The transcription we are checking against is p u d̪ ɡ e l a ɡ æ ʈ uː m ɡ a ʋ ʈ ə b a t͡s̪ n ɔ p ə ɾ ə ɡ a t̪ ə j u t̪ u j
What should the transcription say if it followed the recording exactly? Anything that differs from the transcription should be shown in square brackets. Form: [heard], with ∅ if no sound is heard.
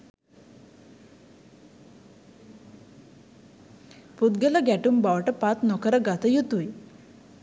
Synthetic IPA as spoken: p u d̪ ɡ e l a ɡ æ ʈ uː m [b] a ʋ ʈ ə [p] a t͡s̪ n ɔ [k] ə ɾ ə ɡ a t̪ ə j u t̪ u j